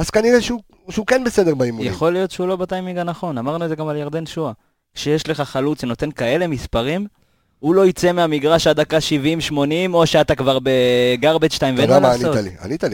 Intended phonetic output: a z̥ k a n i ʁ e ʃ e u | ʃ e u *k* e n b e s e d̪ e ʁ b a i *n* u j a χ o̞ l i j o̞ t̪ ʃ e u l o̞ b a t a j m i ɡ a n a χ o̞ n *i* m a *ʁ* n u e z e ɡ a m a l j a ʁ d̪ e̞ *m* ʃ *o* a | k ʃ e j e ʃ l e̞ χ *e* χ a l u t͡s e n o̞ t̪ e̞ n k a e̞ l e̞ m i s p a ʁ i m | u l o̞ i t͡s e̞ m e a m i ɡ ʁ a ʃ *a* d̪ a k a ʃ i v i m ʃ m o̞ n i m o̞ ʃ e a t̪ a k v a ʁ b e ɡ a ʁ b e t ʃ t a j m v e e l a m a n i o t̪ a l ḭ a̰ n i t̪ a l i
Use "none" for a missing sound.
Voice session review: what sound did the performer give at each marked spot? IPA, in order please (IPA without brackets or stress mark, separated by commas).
k, m, a, ʁ, n, u, a, a